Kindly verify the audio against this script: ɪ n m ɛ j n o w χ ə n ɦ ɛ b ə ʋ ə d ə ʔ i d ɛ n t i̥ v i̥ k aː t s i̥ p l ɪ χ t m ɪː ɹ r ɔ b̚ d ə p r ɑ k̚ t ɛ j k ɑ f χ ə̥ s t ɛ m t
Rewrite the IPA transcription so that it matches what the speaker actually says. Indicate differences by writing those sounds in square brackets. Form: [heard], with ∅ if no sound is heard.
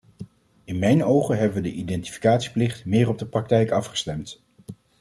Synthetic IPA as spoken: ɪ n m ɛ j n o w χ ə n ɦ ɛ b ə ʋ ə d ə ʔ i d ɛ n t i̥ [f] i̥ k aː t s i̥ p l ɪ χ t m ɪː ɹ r ɔ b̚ d ə p r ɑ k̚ t ɛ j k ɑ f χ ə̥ s t ɛ m t